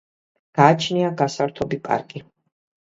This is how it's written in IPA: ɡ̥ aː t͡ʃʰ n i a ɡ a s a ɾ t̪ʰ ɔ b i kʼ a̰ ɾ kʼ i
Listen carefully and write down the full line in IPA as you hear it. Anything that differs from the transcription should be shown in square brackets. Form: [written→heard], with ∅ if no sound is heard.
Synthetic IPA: ɡ̥ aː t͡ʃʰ n i a ɡ a s a ɾ t̪ʰ ɔ b i [kʼ→pʼ] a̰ ɾ kʼ i